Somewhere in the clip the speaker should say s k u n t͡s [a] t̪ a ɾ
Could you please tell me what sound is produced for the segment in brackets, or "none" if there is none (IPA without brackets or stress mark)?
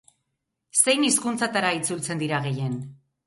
a